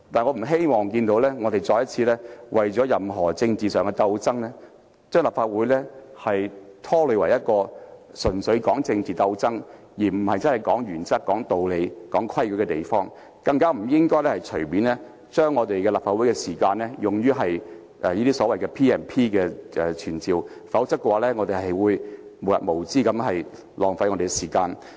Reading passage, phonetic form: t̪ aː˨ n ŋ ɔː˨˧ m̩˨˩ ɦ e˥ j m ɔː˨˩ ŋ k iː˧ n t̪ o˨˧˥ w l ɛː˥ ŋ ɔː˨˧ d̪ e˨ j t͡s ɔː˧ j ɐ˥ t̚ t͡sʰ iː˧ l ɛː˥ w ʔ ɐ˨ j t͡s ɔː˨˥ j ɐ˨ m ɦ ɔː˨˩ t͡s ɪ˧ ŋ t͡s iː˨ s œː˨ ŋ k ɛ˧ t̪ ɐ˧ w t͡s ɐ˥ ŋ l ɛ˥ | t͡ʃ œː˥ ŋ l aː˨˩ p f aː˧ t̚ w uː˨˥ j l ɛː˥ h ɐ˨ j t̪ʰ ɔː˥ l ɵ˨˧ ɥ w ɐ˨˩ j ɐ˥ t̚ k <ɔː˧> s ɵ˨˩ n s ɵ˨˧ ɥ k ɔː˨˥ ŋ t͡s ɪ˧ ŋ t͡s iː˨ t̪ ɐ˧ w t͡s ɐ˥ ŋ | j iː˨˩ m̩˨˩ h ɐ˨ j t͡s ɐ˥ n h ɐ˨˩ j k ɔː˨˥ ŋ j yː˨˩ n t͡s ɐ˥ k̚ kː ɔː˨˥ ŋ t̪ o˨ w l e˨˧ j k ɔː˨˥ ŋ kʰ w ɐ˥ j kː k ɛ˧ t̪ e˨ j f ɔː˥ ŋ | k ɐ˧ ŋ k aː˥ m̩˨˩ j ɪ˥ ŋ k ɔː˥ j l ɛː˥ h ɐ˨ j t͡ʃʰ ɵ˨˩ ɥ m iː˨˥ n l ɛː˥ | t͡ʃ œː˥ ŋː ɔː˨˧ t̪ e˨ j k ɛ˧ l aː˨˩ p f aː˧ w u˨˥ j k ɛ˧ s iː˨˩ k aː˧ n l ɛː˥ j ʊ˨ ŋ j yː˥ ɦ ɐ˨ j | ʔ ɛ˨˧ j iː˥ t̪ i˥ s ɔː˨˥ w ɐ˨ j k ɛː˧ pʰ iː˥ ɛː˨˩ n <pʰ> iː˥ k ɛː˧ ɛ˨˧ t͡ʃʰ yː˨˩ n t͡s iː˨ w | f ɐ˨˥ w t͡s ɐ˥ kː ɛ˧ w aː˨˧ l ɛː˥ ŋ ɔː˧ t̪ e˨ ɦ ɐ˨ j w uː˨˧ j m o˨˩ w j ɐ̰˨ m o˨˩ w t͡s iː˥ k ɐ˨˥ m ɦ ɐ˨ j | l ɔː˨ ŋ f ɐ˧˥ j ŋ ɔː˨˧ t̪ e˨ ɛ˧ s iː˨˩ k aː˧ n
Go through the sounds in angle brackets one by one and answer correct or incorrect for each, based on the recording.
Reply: correct, correct

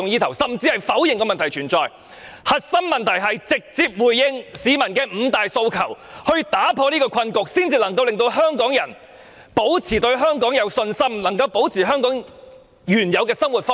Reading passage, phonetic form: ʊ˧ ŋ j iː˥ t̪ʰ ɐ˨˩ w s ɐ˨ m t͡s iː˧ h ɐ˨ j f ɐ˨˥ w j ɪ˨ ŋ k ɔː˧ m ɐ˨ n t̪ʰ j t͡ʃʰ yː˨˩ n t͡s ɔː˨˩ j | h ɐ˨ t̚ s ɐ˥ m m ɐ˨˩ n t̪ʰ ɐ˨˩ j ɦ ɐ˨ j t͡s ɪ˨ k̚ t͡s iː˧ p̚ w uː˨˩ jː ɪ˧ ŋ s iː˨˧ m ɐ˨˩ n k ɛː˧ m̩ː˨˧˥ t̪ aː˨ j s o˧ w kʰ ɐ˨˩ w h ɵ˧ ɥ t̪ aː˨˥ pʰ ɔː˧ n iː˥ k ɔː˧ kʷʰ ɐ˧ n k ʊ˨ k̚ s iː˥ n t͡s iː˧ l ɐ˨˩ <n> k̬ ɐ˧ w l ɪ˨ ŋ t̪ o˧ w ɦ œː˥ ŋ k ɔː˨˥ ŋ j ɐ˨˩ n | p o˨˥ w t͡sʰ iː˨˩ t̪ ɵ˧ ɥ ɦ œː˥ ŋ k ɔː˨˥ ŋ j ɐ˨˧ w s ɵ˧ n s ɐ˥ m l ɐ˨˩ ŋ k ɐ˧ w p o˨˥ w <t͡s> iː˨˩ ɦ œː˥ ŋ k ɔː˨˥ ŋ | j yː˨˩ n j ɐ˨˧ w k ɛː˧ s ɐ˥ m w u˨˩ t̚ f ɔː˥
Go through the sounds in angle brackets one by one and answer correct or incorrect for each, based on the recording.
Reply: incorrect, incorrect

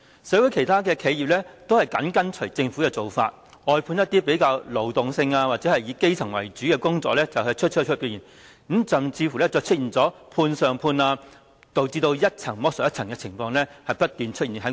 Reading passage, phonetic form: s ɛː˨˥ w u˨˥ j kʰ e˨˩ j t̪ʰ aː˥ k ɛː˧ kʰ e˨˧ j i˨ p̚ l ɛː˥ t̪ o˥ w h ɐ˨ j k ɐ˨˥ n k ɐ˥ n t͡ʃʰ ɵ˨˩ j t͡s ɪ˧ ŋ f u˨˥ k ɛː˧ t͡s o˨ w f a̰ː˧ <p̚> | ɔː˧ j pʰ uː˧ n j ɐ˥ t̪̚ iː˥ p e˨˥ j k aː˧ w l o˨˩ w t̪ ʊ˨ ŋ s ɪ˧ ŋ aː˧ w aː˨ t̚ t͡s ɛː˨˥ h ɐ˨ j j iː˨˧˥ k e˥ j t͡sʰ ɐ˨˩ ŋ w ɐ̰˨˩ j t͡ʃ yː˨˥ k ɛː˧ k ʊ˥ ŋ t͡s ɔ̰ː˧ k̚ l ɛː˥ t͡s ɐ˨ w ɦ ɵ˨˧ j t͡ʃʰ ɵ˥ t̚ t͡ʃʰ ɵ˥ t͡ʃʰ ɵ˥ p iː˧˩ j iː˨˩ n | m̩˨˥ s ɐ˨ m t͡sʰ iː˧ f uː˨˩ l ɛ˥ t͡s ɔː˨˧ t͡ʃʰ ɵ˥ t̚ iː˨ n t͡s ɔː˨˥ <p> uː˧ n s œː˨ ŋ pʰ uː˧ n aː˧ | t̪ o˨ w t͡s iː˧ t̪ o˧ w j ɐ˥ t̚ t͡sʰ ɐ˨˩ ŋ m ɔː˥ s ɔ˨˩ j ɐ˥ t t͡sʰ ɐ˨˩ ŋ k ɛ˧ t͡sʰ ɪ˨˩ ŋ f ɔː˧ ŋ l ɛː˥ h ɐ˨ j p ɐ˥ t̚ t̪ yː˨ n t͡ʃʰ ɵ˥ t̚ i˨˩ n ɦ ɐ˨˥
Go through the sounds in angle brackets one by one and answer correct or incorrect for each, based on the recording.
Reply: incorrect, incorrect

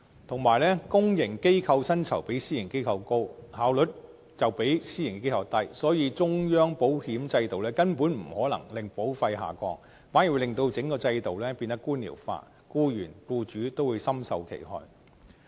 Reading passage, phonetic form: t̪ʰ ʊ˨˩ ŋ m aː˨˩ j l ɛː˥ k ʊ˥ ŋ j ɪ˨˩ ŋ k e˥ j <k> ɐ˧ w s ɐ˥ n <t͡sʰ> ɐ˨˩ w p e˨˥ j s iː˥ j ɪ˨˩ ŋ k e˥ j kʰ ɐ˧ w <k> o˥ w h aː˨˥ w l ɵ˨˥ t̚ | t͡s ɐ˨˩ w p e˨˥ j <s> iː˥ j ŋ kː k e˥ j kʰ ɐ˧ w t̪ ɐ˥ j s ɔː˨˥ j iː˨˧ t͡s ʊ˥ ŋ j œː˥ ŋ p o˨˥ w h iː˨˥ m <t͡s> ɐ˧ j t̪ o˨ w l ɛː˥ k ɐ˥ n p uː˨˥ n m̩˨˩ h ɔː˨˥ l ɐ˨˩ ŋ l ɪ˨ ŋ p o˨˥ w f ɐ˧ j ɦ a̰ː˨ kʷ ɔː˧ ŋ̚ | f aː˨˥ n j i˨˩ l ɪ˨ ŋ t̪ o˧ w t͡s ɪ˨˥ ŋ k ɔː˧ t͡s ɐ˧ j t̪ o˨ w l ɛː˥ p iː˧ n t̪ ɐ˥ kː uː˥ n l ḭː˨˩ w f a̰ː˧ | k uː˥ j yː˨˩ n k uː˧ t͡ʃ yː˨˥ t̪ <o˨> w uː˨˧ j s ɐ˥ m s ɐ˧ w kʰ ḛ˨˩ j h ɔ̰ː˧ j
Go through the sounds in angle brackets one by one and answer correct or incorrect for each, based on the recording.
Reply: incorrect, correct, correct, correct, correct, incorrect

